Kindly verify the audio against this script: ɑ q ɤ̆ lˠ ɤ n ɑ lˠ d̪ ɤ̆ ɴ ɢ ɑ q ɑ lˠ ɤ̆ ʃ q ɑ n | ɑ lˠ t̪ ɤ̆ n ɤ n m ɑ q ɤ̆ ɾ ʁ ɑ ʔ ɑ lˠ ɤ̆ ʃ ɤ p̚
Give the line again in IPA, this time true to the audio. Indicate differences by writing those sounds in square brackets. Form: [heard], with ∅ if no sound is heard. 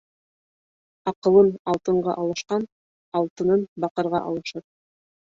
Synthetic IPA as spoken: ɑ q ɤ̆ lˠ ɤ n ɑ lˠ [t̪] ɤ̆ ɴ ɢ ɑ [ʔ] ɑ lˠ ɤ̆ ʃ q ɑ n | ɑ lˠ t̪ ɤ̆ n ɤ n [b] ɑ q ɤ̆ ɾ ʁ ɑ ʔ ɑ lˠ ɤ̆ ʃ ɤ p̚